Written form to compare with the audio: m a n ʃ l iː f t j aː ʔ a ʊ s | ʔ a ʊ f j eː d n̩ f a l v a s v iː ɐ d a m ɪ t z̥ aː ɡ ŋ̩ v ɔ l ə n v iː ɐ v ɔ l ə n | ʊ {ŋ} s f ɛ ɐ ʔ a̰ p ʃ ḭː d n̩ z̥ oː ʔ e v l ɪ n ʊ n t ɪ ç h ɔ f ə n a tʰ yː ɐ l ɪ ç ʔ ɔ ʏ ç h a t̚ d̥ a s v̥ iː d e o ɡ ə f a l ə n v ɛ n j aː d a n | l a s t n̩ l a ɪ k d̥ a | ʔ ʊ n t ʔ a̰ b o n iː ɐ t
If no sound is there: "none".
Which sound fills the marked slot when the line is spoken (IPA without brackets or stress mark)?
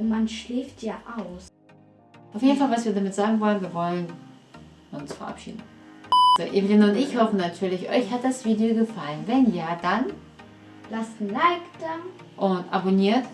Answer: n